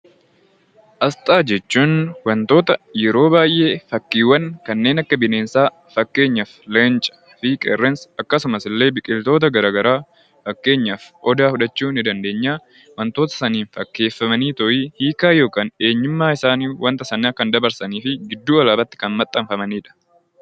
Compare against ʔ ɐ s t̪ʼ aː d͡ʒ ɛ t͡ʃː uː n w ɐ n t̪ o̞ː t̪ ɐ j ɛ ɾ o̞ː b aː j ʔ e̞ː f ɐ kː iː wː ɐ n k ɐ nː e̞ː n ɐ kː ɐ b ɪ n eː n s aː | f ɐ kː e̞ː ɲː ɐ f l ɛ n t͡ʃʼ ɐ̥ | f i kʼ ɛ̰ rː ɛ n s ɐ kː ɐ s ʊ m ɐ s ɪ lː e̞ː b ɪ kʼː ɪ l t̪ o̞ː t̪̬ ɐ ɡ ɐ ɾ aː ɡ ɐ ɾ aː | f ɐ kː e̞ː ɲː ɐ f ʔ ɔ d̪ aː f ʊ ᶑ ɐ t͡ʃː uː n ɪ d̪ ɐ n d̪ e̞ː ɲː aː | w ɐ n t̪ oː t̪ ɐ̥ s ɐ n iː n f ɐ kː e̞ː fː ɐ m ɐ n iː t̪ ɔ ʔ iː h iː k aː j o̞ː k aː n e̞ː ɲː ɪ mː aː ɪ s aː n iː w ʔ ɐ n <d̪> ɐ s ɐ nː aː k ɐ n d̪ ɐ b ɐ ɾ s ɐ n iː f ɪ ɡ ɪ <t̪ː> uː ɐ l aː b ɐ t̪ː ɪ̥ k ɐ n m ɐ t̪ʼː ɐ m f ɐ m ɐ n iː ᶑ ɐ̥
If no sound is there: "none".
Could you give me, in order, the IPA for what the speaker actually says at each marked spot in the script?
t̪, d̪ː

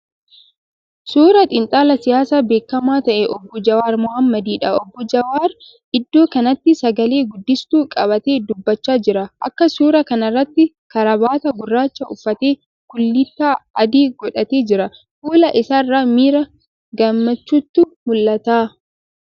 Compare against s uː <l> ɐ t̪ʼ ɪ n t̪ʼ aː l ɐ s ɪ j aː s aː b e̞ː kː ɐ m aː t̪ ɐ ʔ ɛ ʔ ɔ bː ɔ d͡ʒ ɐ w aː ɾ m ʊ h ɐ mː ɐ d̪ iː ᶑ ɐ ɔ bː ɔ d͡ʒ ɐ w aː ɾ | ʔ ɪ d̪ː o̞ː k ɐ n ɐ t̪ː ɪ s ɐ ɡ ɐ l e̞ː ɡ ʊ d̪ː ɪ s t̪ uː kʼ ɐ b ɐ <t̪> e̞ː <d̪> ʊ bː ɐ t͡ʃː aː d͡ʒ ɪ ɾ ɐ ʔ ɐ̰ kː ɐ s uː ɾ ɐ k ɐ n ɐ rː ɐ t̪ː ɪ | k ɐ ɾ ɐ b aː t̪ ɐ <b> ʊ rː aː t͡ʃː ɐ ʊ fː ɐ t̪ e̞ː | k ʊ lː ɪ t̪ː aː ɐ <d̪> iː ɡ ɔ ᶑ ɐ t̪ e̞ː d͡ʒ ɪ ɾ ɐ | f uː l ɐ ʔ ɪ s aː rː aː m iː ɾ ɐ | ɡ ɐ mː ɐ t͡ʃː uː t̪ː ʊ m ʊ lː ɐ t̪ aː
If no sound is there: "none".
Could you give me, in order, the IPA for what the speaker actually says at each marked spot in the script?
ɾ, t̪, d̪, ɡ, d̪

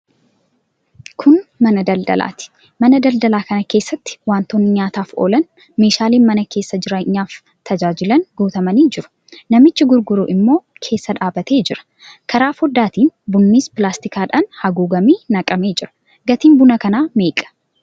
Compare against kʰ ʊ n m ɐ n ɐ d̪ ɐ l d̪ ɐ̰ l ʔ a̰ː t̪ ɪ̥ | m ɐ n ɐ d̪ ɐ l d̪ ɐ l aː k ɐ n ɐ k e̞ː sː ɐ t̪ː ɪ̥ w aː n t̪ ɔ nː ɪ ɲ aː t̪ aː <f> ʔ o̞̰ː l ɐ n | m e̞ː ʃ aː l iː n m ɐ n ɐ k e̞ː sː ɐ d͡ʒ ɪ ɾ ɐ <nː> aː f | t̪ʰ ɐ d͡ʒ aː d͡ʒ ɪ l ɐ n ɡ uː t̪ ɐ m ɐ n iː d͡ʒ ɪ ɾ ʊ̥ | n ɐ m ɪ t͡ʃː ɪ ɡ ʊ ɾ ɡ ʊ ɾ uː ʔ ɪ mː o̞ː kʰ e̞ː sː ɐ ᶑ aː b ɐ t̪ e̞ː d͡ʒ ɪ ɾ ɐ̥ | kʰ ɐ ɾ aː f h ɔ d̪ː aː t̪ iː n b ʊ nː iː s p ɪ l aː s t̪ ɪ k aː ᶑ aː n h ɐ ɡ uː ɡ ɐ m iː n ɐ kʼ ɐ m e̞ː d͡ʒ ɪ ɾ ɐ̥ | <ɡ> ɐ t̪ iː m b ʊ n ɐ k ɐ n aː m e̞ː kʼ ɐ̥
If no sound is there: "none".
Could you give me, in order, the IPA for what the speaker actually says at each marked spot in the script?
f, ɲː, ɡ

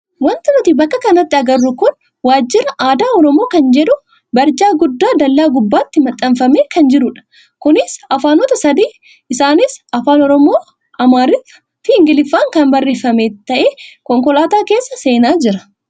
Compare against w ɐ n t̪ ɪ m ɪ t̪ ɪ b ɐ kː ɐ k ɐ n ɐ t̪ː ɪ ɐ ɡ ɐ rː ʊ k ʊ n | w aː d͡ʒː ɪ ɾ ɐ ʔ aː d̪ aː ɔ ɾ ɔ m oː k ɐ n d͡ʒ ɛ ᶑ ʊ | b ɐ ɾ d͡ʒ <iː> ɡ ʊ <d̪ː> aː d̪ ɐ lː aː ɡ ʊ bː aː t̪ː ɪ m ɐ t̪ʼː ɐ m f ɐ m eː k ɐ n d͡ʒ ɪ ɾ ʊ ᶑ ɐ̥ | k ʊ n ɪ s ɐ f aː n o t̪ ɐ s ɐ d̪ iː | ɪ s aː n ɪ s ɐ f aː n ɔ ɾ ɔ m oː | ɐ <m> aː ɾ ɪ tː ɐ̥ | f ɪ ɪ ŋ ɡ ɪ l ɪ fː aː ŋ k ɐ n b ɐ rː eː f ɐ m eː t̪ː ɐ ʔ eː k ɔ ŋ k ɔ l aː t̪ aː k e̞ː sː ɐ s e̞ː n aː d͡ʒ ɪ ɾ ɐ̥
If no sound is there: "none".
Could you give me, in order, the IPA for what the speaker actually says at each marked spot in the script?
aː, d̪ː, m

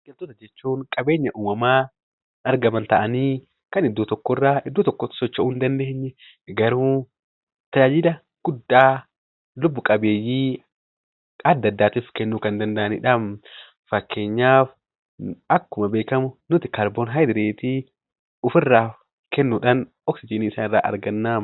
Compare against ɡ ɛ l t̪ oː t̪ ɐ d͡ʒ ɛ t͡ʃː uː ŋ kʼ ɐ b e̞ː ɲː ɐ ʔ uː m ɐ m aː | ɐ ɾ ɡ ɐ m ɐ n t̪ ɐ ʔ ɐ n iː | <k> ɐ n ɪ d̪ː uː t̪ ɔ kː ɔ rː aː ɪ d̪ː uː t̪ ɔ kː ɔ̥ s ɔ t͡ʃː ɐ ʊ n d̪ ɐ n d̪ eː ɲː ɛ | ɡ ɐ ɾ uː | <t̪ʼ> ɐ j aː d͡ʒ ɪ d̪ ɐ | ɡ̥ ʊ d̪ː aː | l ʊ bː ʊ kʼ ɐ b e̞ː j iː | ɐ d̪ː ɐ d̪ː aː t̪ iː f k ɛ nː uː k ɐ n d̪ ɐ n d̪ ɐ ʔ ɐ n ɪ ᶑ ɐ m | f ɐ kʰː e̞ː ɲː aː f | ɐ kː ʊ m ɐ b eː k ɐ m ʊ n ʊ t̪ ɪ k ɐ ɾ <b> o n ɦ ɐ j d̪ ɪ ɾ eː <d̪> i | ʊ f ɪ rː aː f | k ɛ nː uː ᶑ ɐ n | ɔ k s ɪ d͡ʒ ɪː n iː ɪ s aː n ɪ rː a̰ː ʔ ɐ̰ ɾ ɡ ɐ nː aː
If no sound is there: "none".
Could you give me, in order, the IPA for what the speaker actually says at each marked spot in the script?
k, t̪, b, t̪

